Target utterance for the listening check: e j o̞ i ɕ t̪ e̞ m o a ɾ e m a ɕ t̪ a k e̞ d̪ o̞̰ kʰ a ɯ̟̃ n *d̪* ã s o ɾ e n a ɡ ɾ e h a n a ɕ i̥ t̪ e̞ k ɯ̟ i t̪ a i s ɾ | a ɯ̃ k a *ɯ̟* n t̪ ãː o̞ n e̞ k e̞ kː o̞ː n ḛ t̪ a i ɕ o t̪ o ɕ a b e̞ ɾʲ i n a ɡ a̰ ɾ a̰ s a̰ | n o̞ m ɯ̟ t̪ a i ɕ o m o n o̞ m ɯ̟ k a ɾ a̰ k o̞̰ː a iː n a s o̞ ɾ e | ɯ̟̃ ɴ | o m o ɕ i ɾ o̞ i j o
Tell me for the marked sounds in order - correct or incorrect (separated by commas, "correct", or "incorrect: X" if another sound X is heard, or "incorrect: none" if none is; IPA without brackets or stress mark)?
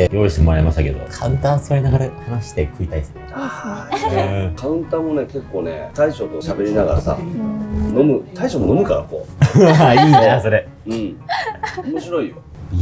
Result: incorrect: t̪, incorrect: ɯ̟̃